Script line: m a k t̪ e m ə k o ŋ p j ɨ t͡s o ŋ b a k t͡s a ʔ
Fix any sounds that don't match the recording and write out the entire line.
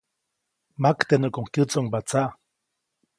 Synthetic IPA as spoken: m a k t̪ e n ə k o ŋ k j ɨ t͡s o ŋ b a t͡s a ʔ